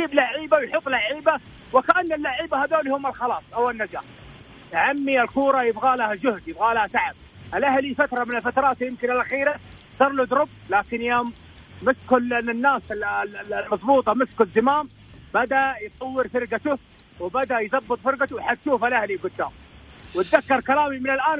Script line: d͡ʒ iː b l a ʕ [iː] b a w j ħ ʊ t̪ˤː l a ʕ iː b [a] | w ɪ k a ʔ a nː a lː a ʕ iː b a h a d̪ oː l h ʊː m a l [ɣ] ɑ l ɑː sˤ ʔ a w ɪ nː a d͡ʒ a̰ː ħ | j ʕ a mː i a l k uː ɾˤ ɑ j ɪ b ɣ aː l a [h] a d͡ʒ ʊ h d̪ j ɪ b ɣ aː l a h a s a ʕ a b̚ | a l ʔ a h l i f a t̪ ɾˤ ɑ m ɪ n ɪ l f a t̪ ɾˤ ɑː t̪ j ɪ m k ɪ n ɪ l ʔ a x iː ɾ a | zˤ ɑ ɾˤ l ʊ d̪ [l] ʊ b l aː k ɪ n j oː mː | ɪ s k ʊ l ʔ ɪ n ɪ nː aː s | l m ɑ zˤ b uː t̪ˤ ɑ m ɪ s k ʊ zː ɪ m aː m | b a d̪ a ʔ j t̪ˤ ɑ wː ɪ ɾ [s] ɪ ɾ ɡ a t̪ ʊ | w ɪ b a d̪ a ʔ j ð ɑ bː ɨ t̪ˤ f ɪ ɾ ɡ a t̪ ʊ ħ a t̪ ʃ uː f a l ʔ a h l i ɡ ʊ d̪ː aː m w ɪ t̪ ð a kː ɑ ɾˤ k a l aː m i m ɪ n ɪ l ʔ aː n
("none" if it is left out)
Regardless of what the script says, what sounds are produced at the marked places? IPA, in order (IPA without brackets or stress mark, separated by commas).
iː, a, x, h, ɾ, f